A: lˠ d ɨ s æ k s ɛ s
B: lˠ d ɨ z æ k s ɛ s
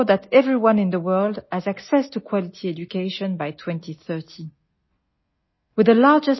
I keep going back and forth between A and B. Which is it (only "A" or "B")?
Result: B